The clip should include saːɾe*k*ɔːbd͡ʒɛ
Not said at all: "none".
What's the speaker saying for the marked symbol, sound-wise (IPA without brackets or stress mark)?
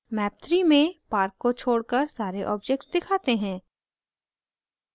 ʔ